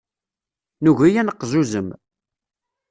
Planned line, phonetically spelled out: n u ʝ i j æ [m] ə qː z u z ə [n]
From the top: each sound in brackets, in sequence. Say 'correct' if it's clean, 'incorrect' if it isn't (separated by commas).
incorrect, incorrect